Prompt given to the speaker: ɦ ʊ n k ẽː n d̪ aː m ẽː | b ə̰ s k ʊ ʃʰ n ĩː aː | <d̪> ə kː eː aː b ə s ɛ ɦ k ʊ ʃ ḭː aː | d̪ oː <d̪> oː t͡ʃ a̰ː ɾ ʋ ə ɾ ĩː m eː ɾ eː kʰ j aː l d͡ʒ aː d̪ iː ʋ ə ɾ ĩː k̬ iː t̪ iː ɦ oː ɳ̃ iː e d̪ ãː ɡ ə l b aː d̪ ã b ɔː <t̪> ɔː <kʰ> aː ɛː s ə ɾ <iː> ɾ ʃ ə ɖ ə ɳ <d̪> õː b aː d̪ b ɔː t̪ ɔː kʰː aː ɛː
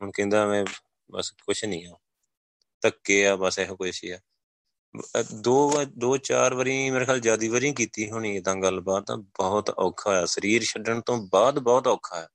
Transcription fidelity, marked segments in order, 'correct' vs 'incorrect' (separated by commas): incorrect, correct, correct, correct, correct, incorrect